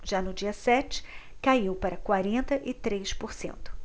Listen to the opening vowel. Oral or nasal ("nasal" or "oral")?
oral